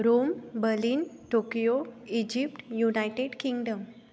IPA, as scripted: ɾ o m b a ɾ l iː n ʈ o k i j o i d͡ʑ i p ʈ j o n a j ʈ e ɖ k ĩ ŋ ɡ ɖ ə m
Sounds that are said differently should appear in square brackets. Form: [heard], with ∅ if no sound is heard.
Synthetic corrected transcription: ɾ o m b [ə] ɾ l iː n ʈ o k i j o i d͡ʑ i p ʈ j [u] n a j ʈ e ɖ k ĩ ŋ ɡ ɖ ə m